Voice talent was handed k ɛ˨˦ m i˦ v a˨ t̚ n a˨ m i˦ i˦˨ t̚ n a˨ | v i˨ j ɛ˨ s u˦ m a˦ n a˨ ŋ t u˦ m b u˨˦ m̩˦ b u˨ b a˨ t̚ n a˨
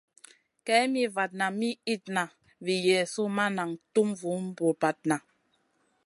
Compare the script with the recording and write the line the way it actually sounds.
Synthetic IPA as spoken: k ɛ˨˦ m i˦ v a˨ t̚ n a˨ m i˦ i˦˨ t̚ n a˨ | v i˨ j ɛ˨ s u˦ m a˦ n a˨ ŋ t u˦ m v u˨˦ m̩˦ b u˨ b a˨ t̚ n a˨